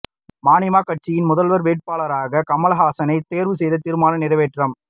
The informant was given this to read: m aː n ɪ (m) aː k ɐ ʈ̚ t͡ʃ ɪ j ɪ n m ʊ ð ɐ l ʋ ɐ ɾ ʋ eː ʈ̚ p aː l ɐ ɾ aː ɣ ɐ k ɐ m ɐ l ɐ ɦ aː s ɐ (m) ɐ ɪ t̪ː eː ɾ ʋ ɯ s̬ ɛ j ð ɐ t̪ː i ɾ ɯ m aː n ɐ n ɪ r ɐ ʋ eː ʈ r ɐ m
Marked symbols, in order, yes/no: yes, no

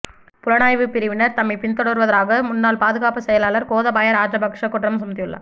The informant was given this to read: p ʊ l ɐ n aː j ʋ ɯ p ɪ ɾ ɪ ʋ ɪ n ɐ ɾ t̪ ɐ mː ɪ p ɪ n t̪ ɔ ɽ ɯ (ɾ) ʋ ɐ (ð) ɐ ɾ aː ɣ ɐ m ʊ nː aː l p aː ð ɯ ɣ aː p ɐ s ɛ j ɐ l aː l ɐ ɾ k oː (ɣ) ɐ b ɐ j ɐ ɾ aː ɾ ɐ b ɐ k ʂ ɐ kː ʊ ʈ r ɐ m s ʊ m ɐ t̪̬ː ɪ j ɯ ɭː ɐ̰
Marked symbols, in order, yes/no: yes, yes, no

